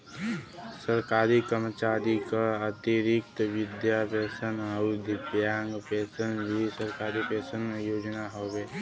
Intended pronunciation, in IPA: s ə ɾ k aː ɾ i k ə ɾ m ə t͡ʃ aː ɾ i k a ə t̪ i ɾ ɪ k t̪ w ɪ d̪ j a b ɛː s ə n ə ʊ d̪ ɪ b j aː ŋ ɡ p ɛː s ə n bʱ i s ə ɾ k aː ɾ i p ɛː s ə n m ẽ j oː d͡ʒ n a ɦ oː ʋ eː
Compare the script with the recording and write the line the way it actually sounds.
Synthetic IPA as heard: s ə ɾ k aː ɾ i k ə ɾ m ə t͡ʃ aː ɾ i k a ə t̪ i ɾ ɪ k t̪ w ɪ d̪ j a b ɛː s ə n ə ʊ d̪ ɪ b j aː ŋ ɡ p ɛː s ə n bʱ i s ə ɾ k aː ɾ i p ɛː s ə n m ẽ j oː d͡ʒ n a ɦ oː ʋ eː